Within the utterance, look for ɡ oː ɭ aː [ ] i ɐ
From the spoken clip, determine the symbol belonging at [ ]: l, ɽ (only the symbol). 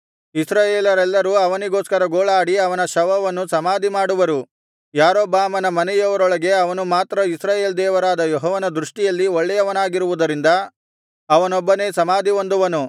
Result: ɽ